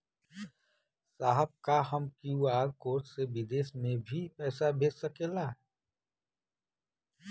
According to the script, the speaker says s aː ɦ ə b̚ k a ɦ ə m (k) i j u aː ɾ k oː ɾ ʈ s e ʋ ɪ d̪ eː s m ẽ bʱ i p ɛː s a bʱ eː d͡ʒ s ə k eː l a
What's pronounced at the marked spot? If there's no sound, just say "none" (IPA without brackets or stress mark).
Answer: k